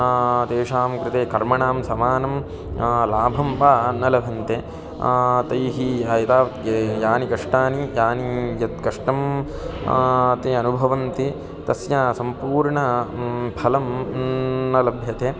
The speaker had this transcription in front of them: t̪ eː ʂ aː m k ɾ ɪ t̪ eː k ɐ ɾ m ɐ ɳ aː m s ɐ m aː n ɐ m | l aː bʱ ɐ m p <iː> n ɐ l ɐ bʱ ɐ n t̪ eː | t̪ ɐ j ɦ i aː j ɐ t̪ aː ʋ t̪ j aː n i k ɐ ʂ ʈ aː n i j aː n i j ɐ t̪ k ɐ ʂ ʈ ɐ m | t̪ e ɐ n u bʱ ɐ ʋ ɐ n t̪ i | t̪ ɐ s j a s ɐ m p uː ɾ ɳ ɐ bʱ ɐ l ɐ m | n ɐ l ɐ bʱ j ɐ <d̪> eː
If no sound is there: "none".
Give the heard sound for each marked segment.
aː, t̪

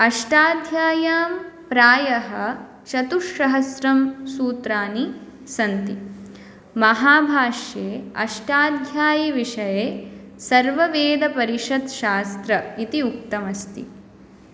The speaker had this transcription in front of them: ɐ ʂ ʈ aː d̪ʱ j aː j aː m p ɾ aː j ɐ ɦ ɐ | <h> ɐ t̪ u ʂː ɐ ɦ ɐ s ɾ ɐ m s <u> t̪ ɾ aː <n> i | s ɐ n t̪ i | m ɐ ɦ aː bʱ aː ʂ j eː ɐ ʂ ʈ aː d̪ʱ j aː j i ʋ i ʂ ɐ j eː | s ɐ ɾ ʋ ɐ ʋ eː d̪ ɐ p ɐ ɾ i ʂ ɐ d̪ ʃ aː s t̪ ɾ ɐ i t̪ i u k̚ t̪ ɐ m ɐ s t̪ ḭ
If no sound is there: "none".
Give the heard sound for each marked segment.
ʃ, uː, n

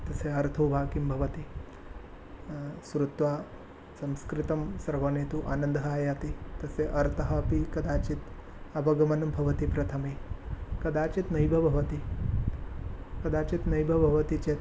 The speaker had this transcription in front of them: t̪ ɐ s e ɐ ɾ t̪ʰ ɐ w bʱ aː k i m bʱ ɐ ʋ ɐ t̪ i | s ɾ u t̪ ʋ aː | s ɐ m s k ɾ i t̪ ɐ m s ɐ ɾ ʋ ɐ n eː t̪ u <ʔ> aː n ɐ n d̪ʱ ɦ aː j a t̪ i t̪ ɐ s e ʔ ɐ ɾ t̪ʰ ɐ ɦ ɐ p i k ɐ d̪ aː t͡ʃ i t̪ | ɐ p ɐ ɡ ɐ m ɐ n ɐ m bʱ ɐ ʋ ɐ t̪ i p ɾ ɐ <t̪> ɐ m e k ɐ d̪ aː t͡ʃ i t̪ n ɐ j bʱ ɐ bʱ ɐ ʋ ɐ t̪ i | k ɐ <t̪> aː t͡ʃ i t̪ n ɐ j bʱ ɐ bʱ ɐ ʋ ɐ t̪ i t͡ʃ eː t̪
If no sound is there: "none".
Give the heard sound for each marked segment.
ʔ, t̪ʰ, d̪

